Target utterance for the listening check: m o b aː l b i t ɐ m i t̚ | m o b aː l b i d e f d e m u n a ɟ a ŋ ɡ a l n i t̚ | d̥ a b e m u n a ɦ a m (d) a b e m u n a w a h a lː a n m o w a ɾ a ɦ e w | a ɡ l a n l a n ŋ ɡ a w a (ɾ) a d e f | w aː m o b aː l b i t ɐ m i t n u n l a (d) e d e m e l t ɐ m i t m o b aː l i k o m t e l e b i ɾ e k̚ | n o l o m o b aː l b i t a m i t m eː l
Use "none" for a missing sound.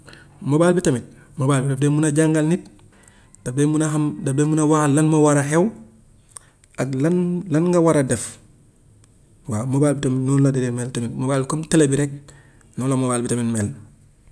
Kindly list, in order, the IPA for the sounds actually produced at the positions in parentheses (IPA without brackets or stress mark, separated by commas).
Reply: d, ɾ, d